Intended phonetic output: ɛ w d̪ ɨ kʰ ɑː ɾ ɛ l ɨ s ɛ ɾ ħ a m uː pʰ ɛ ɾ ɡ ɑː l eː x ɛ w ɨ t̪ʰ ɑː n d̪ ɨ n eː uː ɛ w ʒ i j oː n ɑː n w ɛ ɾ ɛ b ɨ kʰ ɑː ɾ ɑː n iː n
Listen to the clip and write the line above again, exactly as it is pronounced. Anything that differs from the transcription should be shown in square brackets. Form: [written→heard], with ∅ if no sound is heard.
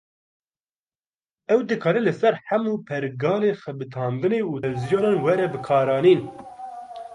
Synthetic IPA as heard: ɛ w d̪ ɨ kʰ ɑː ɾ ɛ l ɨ s ɛ ɾ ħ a m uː pʰ ɛ ɾ ɡ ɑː l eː x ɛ [w→b] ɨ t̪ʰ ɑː n d̪ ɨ n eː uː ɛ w [ʒ→z] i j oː n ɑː n w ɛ ɾ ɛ b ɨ kʰ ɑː ɾ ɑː n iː n